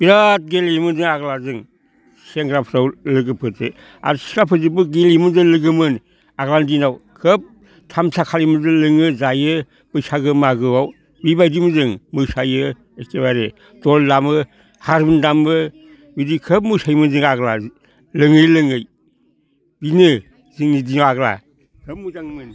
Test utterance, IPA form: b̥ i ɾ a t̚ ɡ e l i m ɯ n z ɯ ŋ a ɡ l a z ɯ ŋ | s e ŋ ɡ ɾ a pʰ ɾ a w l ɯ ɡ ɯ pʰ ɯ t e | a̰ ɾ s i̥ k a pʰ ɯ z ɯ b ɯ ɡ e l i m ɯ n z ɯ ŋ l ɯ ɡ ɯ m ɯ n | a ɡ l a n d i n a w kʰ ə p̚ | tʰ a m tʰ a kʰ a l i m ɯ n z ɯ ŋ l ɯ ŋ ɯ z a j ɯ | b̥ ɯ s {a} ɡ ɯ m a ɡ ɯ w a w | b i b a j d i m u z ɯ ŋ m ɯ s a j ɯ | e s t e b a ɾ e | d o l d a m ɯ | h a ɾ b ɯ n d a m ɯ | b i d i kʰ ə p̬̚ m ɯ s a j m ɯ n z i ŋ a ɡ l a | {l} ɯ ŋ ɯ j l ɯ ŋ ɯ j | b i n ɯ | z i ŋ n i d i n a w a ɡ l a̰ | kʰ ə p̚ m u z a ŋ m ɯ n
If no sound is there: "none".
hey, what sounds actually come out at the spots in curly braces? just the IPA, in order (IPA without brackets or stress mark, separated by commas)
a, l